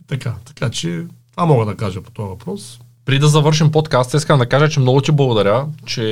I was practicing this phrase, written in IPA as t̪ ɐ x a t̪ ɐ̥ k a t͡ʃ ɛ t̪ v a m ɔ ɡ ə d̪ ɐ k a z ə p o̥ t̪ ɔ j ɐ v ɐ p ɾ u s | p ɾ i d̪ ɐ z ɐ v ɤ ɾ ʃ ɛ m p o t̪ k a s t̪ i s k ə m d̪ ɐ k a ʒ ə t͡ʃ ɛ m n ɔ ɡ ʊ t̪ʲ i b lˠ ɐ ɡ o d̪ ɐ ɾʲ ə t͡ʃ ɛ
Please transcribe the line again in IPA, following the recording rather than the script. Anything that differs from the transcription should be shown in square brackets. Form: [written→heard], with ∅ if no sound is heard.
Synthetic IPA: t̪ ɐ [x→k] a t̪ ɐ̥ k a t͡ʃ ɛ t̪ v a m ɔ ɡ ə d̪ ɐ k a [z→ʒ] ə p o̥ t̪ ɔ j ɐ v ɐ p ɾ [u→ɔ] s | p ɾ i d̪ ɐ z ɐ v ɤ ɾ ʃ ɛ m p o t̪ k a s t̪ i s k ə m d̪ ɐ k a ʒ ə t͡ʃ ɛ m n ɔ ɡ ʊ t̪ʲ i b lˠ ɐ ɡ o d̪ ɐ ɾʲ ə t͡ʃ ɛ